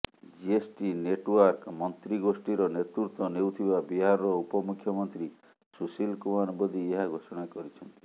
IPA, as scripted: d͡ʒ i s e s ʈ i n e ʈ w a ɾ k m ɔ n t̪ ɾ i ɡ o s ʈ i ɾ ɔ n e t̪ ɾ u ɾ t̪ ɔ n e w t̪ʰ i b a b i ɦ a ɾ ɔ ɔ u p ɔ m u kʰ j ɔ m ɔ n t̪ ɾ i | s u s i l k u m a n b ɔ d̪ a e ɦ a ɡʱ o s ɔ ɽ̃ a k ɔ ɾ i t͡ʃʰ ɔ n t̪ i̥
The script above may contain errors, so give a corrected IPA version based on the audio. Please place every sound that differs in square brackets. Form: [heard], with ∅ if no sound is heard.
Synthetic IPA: d͡ʒ i [∅] e s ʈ i n e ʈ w a ɾ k m ɔ n t̪ ɾ i ɡ o s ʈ i ɾ ɔ n e t̪ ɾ u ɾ t̪ ɔ n e w t̪ʰ i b a b i ɦ a ɾ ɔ ɔ u p ɔ m u kʰ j ɔ m ɔ n t̪ ɾ i | s u s i l k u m a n b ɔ d̪ [i] e ɦ a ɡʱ o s ɔ ɽ̃ a k ɔ ɾ i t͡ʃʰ ɔ n t̪ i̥